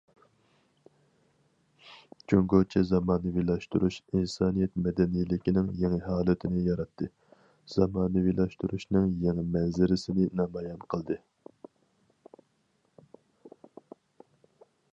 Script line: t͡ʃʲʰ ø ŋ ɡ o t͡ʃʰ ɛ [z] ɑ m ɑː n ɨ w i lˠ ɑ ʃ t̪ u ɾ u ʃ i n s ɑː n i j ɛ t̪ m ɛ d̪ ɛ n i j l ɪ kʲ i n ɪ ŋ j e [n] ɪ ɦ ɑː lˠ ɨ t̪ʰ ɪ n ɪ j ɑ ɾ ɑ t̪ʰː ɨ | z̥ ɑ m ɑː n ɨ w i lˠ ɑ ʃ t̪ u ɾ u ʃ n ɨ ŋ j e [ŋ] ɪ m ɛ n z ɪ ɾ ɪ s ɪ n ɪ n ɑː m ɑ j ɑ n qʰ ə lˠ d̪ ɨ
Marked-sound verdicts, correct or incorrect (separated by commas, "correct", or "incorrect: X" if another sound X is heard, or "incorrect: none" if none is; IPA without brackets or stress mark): correct, incorrect: ŋ, correct